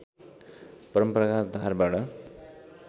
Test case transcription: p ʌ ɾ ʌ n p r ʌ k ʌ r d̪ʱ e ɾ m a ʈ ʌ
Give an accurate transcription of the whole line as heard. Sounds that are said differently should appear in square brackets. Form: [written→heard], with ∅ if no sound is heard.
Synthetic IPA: p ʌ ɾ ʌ [n→m] p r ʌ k [ʌ→a] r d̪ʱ [e→a] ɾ [m→b] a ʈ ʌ